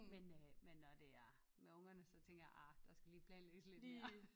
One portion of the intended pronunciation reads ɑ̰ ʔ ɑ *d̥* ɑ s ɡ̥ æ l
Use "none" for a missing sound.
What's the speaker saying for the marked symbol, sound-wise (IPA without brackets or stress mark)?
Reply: d̥